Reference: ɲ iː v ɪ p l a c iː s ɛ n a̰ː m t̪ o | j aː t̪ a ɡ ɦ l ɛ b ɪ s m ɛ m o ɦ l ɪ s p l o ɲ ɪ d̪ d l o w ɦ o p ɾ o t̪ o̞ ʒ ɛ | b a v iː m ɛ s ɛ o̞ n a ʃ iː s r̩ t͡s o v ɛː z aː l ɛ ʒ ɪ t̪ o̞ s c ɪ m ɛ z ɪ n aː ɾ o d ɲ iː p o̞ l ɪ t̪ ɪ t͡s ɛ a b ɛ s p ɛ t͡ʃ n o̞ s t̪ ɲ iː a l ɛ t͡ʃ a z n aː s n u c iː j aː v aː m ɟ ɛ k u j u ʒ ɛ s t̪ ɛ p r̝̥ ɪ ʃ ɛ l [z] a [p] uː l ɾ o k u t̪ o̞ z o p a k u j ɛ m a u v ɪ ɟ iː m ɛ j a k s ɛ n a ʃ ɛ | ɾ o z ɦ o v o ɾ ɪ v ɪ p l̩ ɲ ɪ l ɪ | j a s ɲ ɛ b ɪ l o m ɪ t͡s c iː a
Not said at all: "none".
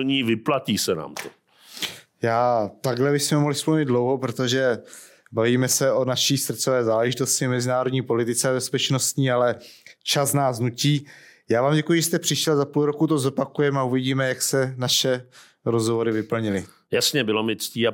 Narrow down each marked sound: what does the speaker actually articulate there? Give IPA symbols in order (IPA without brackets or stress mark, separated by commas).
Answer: z, p